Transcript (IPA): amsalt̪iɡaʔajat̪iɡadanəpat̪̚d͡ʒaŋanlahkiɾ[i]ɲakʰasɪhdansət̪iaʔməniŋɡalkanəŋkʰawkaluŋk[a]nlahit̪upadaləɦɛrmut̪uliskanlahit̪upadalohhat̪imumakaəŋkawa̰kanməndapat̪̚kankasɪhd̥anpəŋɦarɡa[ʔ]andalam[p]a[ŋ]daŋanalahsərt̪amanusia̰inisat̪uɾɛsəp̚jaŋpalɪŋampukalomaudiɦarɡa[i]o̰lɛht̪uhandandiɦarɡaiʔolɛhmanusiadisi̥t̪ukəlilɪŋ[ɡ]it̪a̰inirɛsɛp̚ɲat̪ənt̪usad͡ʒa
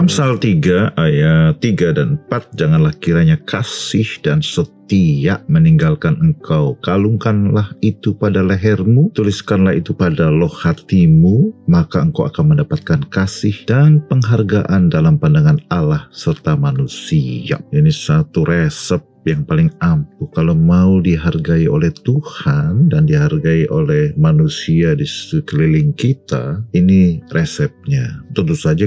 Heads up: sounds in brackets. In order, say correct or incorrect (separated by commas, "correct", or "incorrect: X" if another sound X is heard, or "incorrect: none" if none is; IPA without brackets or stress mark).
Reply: incorrect: a, correct, correct, correct, incorrect: n, correct, incorrect: k